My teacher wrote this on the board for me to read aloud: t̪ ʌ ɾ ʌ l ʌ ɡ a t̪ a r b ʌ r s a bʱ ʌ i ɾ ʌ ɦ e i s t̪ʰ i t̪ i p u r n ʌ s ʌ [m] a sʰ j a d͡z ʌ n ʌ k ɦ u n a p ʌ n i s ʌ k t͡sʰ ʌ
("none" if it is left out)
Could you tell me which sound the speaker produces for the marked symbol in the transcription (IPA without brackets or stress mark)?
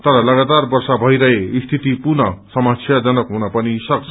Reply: m